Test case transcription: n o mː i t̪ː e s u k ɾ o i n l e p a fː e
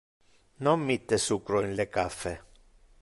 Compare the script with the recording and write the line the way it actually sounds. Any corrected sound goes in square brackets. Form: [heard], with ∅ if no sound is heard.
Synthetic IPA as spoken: n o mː i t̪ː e s u k ɾ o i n l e [k] a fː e